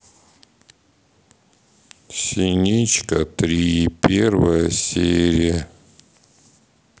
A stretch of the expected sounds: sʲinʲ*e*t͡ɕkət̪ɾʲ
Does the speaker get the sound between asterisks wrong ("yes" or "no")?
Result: yes